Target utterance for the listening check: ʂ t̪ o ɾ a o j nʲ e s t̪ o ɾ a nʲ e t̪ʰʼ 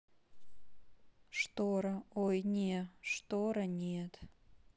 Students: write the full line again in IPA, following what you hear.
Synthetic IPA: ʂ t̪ o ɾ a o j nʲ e ʂ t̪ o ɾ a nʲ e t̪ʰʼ